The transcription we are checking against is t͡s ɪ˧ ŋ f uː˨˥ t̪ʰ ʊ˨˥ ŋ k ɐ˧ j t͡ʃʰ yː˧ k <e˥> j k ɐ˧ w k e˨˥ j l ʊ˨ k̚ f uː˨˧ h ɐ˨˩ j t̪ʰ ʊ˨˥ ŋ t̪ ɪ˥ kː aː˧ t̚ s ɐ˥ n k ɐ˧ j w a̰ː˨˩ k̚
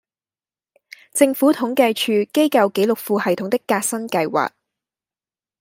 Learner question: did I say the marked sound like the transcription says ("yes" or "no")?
yes